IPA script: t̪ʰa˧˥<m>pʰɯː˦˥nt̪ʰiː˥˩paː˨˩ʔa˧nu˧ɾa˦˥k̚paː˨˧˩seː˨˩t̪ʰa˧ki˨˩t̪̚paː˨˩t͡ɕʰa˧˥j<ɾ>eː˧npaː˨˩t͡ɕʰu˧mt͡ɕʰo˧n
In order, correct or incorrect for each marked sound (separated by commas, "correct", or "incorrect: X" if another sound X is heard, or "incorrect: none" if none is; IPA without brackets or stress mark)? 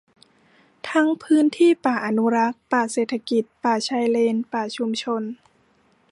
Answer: incorrect: ŋ, incorrect: l